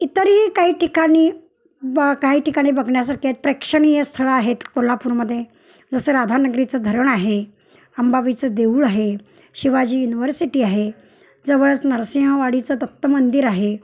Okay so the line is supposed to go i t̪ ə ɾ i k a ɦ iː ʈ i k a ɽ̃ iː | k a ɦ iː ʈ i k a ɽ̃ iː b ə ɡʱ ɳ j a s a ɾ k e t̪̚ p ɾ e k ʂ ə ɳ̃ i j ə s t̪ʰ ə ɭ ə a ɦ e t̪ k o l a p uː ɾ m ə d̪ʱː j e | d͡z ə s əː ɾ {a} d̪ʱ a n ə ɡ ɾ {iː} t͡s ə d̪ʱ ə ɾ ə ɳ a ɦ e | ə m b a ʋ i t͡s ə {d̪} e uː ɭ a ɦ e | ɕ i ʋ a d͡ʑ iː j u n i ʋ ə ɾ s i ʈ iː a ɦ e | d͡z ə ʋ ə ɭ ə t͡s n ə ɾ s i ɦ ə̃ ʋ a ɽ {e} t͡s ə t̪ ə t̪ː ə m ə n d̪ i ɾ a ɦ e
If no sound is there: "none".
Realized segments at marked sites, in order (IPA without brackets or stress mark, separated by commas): a, i, d̪, i